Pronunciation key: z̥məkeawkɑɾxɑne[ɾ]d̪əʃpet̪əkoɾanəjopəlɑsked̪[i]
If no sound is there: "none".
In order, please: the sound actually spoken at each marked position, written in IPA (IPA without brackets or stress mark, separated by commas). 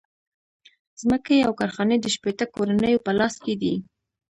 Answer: none, i